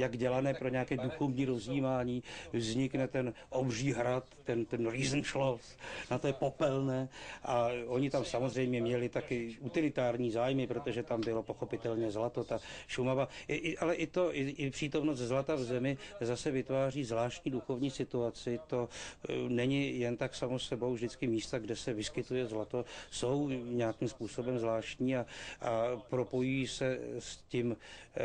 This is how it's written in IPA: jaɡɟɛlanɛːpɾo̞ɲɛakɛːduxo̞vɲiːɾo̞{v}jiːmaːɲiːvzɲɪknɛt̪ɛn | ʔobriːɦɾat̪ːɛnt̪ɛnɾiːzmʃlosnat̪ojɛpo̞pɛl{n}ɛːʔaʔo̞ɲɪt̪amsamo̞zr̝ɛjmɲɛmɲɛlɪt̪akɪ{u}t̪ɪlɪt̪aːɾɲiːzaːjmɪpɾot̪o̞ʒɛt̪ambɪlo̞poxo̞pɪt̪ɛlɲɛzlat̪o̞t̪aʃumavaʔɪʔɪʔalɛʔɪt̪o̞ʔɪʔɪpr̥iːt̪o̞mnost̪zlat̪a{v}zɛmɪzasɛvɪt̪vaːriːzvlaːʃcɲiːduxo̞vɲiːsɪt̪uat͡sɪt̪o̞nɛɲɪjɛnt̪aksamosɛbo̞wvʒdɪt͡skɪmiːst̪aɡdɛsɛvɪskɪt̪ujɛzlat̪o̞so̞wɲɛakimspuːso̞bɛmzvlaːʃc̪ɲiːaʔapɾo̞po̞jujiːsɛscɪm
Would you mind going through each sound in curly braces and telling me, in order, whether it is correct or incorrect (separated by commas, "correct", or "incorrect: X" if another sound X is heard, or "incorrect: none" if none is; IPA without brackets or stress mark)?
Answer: incorrect: z, correct, correct, correct